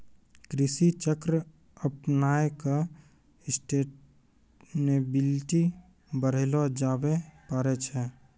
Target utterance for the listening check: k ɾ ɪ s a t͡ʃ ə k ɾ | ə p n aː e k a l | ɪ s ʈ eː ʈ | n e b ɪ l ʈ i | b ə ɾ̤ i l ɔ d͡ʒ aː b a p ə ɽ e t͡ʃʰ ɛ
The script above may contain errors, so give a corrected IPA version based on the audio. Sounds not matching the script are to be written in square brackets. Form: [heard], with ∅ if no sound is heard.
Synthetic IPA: k ɾ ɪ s [i] t͡ʃ ə k ɾ | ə p n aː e k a [∅] | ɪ s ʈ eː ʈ | n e b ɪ l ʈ i | b ə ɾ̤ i l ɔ d͡ʒ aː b [e] p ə [ɾ] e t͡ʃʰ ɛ